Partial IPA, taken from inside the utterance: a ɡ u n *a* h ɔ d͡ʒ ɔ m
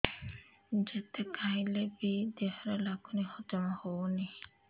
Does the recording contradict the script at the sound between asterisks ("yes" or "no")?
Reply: yes